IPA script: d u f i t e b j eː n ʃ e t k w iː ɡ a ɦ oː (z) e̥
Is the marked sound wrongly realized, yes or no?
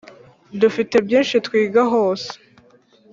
yes